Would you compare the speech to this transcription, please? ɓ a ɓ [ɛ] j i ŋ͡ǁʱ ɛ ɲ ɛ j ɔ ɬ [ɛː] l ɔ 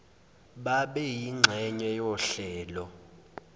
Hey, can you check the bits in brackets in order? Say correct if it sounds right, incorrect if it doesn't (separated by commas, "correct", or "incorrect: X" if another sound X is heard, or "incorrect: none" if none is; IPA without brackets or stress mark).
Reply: correct, correct